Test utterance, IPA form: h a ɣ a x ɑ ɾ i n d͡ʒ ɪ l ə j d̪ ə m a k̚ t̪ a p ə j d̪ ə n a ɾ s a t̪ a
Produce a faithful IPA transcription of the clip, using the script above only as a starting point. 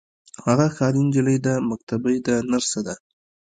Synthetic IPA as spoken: h a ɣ a x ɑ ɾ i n d͡ʒ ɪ l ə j d̪ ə m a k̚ t̪ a b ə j d̪ ə n a ɾ s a d̪ a

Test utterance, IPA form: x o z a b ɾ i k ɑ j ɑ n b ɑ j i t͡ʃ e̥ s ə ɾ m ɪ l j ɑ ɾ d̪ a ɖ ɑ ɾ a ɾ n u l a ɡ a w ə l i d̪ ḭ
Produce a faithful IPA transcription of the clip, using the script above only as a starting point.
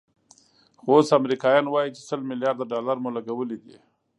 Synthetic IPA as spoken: x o s a m ɾ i k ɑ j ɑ n w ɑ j i t͡ʃ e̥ s ə l m ɪ l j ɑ ɾ d̪ a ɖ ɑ l a ɾ m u l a ɡ a w ə l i d̪ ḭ

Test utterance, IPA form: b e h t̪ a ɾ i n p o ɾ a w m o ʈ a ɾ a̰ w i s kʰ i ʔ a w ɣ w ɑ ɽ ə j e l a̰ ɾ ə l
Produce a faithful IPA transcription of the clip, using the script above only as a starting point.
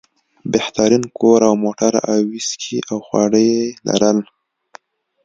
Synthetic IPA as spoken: b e h t̪ a ɾ i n k o ɾ a w m o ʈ a ɾ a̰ w i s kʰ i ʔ a w x w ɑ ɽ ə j e l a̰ ɾ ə l

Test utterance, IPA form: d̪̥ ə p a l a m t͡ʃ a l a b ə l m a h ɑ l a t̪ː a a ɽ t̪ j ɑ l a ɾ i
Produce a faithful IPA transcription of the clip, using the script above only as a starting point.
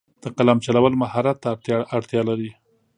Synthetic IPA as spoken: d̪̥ ə q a l a m t͡ʃ a l a w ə l m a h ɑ ɾ a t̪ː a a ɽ t̪ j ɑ l a ɾ i

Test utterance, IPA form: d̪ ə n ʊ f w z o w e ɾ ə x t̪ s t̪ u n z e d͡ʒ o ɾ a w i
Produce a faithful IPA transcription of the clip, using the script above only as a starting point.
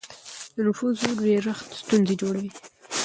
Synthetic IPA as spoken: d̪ ə n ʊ f u z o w e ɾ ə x t̪ s t̪ u n z e d͡ʒ o ɽ a w i

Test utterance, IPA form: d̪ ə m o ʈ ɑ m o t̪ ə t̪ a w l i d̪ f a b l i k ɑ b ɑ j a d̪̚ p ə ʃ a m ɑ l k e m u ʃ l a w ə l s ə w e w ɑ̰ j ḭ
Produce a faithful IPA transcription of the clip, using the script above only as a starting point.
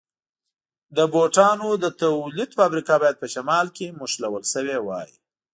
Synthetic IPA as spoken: d̪ ə b o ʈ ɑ n o d̪ ə t̪ a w l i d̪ f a b ɾ i k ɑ b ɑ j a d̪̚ p ə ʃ a m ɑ l k e m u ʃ l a w ə l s ə w e w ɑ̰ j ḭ

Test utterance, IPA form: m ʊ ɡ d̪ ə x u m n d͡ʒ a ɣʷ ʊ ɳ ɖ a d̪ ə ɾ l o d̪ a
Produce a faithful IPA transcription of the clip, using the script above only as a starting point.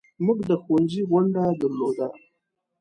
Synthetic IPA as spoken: m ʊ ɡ d̪ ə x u n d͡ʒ i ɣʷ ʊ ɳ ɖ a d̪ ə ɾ l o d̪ a

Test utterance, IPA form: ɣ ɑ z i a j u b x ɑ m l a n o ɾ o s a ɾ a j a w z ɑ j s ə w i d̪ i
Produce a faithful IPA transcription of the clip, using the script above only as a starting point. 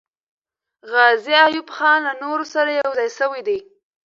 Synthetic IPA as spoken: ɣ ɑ z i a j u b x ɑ n l a n o ɾ o s a ɾ a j a w z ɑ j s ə w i d̪ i

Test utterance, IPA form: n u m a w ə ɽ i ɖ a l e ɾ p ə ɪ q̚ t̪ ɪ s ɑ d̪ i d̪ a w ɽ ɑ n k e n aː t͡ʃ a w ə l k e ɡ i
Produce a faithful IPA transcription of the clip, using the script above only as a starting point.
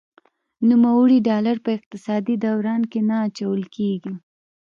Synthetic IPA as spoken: n u m a w ə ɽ i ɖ ɑ l a ɾ p ə ɪ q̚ t̪ ɪ s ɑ d̪ i d̪ a w ɾ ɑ n k e n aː t͡ʃ a w ə l k e ɡ i

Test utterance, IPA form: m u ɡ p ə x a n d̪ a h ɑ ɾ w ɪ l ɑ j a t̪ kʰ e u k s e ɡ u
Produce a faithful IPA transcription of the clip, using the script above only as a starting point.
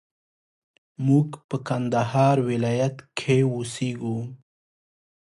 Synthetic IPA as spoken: m u ɡ p ə k a n d̪ a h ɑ ɾ w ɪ l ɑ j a t̪ kʰ e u s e ɡ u

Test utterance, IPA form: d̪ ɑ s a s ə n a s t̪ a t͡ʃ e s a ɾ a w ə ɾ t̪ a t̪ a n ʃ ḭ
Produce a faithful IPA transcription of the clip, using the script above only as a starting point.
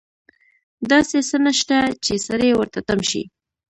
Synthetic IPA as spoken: d̪ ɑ s e s ə n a ʃ t̪ a t͡ʃ e s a ɾ e w ə ɾ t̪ a t̪ a m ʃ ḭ

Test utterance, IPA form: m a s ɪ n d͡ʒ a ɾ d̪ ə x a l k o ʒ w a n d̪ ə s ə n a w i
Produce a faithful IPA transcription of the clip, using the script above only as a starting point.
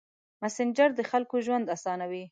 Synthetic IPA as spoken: m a s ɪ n d͡ʒ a ɾ d̪ ə x a l k o ʒ w a n d̪ a s ɑ n a w i

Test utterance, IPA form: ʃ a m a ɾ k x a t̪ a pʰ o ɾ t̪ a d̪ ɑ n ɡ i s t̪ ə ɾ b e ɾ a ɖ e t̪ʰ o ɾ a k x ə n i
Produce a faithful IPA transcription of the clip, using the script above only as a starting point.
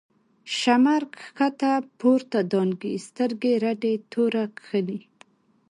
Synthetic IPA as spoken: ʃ a m a ɾ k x a t̪ a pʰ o ɾ t̪ a d̪ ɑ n ɡ i s t̪ ə ɾ ɡ e ɾ a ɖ e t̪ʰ o ɾ a k x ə n i

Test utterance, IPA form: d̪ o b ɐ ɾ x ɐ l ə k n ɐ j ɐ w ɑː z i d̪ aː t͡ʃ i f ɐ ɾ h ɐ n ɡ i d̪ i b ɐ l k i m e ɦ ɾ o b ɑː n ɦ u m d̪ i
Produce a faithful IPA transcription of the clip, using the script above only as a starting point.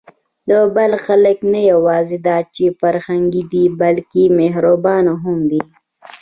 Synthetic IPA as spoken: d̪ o b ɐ l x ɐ l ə k n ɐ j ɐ w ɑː z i d̪ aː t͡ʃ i f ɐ ɾ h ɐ ŋ ɡ i d̪ i b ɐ l k i m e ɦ ɾ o b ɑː n ɦ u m d̪ i

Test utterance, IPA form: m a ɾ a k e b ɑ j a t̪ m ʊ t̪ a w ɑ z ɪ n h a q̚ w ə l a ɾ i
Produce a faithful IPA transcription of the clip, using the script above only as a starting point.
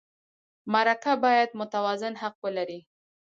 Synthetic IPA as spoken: m a ɾ a k a b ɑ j a d̪ m ʊ t̪ a w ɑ z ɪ n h a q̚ w ə l a ɾ i

